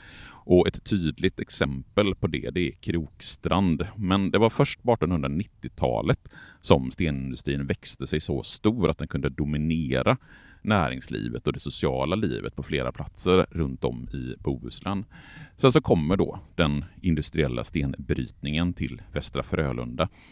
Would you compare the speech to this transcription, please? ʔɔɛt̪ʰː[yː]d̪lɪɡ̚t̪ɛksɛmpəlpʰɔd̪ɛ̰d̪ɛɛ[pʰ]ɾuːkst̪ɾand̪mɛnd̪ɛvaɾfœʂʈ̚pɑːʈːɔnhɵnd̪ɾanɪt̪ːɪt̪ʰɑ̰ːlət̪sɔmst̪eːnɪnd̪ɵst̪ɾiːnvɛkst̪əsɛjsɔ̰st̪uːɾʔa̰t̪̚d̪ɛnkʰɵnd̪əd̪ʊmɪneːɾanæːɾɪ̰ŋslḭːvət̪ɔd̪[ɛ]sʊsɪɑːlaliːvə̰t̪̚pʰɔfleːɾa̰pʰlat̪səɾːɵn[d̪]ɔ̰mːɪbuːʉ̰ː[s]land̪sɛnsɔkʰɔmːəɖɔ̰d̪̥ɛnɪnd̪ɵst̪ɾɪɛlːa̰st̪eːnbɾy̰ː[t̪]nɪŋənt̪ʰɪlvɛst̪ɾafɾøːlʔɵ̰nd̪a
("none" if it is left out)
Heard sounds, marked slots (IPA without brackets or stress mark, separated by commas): yː, kʰ, ɛ, t̪, s, t̪